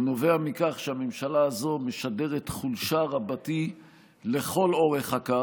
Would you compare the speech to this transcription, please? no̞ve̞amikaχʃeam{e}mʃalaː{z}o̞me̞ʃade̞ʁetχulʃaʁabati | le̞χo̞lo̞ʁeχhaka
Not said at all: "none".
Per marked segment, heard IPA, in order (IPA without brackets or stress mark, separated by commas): e, z